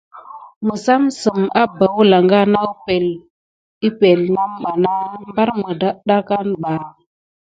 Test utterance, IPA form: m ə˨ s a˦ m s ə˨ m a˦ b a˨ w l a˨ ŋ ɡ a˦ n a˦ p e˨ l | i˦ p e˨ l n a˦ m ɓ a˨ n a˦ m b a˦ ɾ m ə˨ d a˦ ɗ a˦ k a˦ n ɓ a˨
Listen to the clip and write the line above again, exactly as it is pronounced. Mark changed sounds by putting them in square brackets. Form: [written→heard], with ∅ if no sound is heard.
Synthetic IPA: m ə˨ s a˦ m s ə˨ m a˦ b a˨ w l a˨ ŋ ɡ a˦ n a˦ p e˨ l | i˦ p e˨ l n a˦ m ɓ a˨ n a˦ m b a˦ ɾ m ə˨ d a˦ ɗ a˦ k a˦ n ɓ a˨